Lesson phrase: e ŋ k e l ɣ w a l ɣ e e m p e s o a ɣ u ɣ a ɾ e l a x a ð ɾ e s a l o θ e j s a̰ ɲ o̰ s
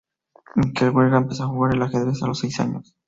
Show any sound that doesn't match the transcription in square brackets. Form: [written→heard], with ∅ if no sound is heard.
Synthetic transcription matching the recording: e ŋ k e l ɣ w [a→e] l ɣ [e→a] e m p e s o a [ɣ→x] u ɣ a ɾ e l a x [a→e] ð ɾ e s a l o [θ→s] e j s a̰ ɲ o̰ s